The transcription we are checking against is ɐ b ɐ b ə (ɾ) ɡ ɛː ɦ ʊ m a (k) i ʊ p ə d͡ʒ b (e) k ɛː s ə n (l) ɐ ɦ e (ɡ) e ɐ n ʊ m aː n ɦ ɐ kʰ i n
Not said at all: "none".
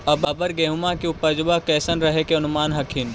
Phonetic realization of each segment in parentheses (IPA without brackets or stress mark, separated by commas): ɾ, k, a, ɾ, k